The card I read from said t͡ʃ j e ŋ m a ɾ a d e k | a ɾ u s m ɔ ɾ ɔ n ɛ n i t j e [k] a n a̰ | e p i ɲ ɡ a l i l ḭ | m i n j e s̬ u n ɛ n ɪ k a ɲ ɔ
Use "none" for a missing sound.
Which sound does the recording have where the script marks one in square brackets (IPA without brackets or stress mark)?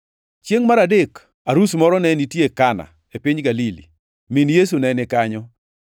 k